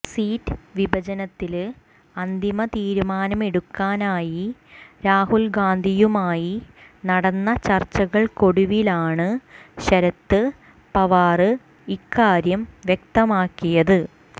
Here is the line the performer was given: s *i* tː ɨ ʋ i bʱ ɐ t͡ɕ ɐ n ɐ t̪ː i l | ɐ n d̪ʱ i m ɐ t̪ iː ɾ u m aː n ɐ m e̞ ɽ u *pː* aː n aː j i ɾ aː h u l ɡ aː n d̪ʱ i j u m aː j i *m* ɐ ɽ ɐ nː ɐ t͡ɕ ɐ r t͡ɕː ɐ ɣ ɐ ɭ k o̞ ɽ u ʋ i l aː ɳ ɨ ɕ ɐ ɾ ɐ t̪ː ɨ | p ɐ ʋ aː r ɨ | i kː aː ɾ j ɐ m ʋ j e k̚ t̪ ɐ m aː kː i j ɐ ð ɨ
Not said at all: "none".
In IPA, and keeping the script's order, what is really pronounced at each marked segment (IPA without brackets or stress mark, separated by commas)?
iː, kː, n